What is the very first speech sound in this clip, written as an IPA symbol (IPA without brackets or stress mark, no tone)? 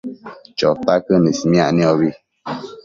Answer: t͡ʃ